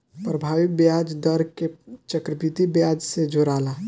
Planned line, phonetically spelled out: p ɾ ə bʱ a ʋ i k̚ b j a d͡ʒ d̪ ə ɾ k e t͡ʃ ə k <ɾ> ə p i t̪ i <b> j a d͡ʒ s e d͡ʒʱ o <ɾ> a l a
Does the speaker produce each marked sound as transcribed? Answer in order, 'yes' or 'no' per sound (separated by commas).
yes, yes, yes